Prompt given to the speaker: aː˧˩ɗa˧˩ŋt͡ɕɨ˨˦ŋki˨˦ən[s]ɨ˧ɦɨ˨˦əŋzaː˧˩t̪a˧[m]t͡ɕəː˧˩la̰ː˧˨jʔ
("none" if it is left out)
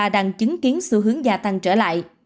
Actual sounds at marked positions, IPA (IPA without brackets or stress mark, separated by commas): s, ŋ